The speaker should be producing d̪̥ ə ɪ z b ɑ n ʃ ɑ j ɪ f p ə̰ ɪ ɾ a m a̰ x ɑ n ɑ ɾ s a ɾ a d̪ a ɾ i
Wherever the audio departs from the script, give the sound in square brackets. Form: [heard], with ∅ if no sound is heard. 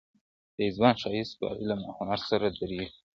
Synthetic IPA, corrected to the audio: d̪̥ ə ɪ z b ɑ n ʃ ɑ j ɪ [s] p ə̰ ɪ [l] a m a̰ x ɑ n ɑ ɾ s a ɾ a d̪ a ɾ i